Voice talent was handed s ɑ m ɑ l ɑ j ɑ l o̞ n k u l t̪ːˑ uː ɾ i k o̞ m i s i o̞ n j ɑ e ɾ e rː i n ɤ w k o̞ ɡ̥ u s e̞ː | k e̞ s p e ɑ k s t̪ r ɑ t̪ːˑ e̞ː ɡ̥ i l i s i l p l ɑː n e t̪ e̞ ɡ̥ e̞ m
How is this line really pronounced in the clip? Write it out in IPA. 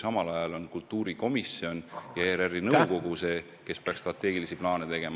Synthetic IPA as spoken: s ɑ m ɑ l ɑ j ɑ l o̞ n k u l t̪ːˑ uː ɾ i k o̞ m i s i o̞ n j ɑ e ɾ e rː i n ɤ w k o̞ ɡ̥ u s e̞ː | k e̞ s p e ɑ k s t̪ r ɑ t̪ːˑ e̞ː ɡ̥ i l i s i p l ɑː n e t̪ e̞ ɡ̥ e̞ m